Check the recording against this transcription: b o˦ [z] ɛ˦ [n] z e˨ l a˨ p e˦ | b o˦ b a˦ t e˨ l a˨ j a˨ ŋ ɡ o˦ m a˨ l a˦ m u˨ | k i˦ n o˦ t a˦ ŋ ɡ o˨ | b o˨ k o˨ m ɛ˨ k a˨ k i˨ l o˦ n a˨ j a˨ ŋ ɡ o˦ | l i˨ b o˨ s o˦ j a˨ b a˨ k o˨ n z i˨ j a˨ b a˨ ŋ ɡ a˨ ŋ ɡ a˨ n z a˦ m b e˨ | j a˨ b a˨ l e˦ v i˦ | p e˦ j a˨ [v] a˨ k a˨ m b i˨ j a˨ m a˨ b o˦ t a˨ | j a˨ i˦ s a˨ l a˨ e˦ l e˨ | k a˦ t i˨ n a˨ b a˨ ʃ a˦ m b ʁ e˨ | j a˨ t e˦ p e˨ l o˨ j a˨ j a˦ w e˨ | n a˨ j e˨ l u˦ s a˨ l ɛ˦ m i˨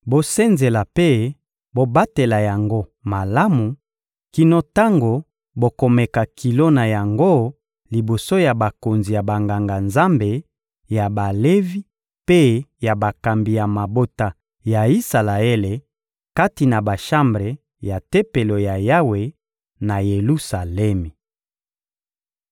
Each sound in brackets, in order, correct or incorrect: incorrect, correct, incorrect

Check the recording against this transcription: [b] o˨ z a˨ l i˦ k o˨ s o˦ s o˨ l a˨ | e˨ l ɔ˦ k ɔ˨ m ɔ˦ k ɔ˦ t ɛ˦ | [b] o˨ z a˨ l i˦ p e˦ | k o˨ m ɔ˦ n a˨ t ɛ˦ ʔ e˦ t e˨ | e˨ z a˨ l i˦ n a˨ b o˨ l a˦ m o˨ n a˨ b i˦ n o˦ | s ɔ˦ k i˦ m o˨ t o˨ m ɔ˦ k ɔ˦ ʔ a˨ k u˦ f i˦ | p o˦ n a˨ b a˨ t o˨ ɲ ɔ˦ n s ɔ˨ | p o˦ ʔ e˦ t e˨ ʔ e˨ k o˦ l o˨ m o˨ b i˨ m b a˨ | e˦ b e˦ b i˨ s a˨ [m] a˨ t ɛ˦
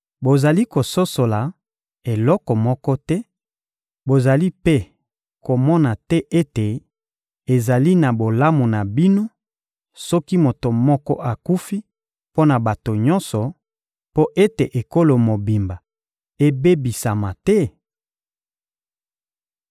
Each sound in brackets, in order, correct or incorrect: correct, correct, correct

